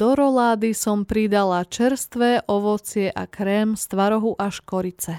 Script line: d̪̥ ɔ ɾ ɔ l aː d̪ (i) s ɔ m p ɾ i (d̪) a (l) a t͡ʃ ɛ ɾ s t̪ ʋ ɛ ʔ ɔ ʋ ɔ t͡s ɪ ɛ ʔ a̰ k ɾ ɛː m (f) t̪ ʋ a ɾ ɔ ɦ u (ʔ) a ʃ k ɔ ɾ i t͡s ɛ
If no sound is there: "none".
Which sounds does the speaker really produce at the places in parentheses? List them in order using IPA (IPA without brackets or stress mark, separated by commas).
i, d̪, l, s, ʔ